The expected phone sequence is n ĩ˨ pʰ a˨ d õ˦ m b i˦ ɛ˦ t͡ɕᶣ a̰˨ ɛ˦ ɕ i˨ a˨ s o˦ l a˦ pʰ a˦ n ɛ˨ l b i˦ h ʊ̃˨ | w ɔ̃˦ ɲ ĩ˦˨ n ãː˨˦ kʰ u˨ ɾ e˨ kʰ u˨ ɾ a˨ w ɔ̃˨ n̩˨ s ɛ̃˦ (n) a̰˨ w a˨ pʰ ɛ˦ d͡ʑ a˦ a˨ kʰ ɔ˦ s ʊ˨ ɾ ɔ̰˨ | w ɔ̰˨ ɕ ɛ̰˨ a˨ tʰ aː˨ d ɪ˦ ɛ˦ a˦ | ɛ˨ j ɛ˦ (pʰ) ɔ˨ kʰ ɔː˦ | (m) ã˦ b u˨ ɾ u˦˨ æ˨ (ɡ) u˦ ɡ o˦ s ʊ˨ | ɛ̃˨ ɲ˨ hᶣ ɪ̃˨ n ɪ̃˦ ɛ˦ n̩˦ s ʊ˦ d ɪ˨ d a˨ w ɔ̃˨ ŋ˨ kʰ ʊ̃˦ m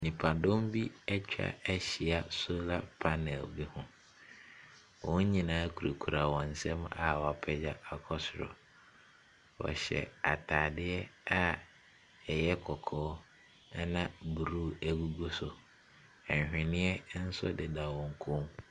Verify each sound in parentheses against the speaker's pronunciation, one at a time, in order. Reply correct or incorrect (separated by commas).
incorrect, incorrect, incorrect, correct